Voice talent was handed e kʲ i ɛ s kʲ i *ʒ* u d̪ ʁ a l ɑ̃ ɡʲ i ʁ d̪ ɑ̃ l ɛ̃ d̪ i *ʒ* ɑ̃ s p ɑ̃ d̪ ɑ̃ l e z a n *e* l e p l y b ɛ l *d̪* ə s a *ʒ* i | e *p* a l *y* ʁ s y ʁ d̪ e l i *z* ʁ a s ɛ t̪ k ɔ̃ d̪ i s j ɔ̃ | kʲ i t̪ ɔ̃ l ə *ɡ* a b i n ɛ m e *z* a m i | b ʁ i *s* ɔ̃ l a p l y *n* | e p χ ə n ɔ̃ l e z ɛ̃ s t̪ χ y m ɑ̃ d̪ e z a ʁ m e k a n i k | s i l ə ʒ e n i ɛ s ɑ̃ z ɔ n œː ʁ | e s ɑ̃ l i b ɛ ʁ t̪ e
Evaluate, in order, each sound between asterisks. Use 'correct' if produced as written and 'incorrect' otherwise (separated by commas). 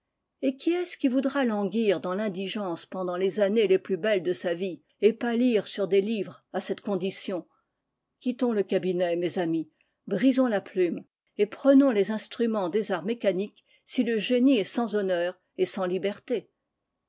incorrect, correct, correct, correct, incorrect, correct, incorrect, incorrect, incorrect, correct, incorrect, incorrect